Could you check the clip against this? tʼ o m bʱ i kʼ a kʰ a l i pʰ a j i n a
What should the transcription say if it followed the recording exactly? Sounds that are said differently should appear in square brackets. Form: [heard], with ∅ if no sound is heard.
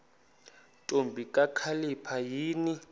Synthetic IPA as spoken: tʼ o m bʱ i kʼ a kʰ a l i pʰ a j [iː] n [i]